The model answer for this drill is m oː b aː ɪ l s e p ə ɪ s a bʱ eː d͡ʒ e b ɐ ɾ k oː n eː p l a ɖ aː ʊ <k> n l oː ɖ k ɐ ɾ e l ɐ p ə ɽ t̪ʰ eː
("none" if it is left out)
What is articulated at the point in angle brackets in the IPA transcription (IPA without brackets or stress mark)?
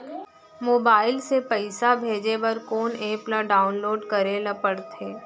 none